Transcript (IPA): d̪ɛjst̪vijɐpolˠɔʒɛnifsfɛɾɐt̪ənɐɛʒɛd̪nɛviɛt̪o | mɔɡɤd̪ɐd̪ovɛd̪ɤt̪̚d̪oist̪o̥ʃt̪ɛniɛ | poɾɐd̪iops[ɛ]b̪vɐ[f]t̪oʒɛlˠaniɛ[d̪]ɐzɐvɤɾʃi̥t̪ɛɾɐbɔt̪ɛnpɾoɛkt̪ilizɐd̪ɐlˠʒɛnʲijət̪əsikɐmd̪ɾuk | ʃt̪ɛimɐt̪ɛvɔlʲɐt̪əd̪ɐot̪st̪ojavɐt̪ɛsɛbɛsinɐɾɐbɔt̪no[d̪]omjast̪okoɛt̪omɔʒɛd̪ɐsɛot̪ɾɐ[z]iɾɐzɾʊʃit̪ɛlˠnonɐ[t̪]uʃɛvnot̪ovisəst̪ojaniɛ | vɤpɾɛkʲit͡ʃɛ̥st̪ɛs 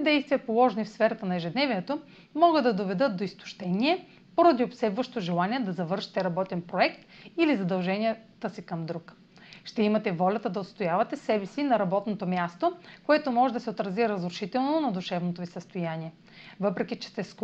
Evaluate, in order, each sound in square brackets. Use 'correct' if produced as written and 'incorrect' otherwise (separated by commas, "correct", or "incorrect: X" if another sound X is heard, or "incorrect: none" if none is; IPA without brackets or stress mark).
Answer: correct, incorrect: ʃ, correct, incorrect: t̪, correct, incorrect: d̪